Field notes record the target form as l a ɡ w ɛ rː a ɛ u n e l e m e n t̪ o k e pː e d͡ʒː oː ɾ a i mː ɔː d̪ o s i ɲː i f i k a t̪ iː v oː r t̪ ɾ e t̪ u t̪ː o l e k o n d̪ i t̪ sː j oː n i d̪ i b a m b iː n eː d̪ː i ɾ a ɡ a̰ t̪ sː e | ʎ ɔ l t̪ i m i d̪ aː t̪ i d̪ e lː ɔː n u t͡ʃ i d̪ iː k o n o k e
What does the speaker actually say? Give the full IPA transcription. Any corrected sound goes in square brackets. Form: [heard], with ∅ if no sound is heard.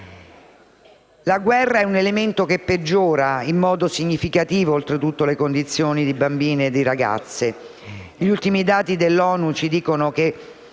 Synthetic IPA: l a ɡ w ɛ rː a ɛ u n e l e m e n t̪ o k e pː e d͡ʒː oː ɾ a i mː ɔː d̪ o s i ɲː i f i k a t̪ iː v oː [l] t̪ ɾ e t̪ u t̪ː o l e k o n d̪ i t̪ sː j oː n i d̪ i b a m b iː n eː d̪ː i ɾ a ɡ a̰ t̪ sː e | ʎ [u] l t̪ i m i d̪ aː t̪ i d̪ e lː ɔː n u t͡ʃ i d̪ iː k o n o k e